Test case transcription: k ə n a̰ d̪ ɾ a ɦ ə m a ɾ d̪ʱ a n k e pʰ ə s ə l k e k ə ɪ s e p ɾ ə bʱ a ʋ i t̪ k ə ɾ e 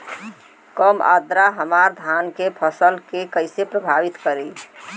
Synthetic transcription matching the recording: k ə m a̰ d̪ ɾ a ɦ ə m a ɾ d̪ʱ a n k e pʰ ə s ə l k e k ə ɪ s e p ɾ ə bʱ a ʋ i t̪ k ə ɾ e